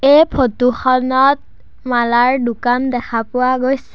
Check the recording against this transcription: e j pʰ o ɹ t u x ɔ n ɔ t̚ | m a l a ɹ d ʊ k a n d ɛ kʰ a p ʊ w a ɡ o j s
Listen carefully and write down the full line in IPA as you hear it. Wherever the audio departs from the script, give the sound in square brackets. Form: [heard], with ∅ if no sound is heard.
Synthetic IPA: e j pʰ o [∅] t u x ɔ n ɔ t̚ | m a l a ɹ d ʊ k a n d ɛ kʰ a p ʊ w a ɡ o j s